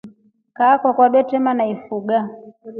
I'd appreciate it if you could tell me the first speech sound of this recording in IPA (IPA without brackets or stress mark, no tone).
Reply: k